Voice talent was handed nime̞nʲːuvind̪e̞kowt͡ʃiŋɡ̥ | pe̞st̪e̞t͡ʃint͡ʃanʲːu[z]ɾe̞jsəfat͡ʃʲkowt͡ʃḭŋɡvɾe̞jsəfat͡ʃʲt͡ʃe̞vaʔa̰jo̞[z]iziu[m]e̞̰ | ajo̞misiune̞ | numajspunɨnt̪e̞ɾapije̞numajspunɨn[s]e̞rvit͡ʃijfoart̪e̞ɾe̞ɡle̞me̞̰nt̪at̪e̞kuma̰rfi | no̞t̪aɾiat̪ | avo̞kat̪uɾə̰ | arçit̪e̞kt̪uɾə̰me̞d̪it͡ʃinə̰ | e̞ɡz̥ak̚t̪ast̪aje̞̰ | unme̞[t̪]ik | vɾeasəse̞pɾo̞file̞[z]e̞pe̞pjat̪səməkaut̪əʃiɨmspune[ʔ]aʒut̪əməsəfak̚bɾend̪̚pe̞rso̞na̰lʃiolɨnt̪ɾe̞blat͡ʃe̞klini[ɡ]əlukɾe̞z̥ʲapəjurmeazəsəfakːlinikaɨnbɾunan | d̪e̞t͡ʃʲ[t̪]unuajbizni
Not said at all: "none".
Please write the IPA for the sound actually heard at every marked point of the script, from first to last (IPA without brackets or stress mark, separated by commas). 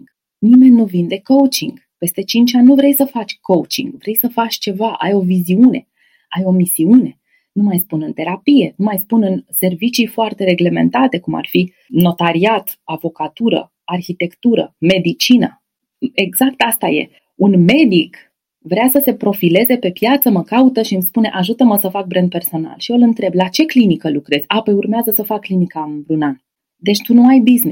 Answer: v, v, n, s, d̪, z, ʔ, k, t̪